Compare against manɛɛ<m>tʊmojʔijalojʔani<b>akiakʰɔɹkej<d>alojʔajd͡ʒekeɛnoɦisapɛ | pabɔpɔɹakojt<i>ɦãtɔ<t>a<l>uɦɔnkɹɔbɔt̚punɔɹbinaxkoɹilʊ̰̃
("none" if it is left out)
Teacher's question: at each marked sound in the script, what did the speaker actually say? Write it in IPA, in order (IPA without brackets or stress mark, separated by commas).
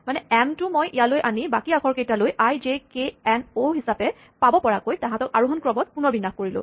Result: m, b, t, a, k, ɹ